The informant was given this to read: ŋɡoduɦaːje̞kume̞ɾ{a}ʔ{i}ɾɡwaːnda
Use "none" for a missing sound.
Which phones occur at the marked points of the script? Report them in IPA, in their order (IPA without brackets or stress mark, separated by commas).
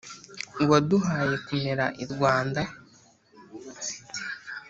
a, i